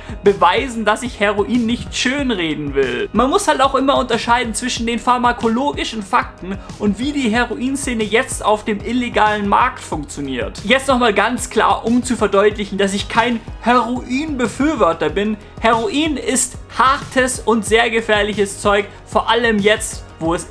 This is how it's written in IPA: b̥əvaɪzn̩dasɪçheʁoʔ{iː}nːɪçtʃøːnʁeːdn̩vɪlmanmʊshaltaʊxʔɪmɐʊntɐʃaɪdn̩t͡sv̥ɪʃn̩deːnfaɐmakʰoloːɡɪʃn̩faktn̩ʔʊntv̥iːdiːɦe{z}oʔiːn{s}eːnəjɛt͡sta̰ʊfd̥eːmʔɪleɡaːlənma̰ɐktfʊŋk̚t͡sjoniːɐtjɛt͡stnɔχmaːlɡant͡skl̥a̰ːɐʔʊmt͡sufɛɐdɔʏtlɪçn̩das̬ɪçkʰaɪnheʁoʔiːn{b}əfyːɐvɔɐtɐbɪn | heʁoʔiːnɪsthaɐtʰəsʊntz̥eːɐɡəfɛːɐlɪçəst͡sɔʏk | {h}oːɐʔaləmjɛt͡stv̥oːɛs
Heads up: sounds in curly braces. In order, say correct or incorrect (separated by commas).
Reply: correct, incorrect, correct, correct, incorrect